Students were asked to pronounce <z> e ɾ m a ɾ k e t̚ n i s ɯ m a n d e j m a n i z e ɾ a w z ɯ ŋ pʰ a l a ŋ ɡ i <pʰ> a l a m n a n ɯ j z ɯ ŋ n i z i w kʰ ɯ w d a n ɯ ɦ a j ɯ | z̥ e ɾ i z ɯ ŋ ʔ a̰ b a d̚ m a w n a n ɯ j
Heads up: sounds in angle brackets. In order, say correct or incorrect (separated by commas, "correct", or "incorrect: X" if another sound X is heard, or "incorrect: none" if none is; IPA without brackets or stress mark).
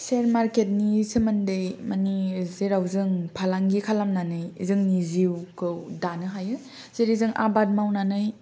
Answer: incorrect: s, incorrect: kʰ